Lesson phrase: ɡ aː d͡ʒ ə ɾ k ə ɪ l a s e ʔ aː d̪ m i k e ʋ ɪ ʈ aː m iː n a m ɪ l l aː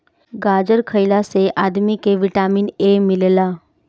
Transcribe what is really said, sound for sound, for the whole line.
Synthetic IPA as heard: ɡ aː d͡ʒ ə ɾ kʰ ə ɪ l a s e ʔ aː d̪ m i k e ʋ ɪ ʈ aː m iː n e m ɪ l l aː